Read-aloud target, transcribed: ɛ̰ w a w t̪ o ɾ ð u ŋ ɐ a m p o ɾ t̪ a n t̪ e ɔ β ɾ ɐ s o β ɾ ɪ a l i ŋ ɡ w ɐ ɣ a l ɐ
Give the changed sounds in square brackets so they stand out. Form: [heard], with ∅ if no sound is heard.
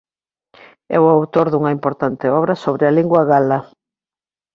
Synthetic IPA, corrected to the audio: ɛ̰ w a w t̪ o ɾ ð u ŋ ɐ [i] m p o ɾ t̪ a n t̪ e ɔ β ɾ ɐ s o β ɾ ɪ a l i ŋ ɡ w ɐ ɣ a l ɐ